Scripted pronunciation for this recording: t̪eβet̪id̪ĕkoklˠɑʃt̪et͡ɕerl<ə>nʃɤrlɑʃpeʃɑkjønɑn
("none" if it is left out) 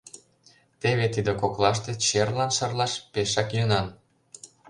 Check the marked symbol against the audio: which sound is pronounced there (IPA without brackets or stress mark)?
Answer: ɑ